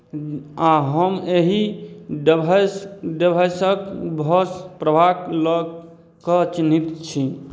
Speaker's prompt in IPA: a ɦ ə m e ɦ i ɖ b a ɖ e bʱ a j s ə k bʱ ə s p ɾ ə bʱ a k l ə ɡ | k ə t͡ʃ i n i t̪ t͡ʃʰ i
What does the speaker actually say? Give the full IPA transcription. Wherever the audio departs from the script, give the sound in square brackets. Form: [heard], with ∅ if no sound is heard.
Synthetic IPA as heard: a ɦ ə m e ɦ i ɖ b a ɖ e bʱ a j s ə k bʱ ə s p ɾ ə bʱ a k l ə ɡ | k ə t͡ʃ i n i t̪ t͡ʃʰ i